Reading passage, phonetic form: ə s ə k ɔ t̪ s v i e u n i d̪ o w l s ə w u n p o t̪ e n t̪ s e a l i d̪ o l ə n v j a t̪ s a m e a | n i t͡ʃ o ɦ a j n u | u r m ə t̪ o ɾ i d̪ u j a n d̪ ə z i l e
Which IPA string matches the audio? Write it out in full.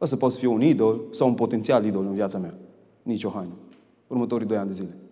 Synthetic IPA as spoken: ə s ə p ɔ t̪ s f i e u n i d̪ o l s a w u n p o t̪ e n t̪ s i a l i d̪ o l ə n v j a t̪ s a m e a | n i t͡ʃ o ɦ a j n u | u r m ə t̪ o ɾ i d̪ o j a n d̪ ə z i l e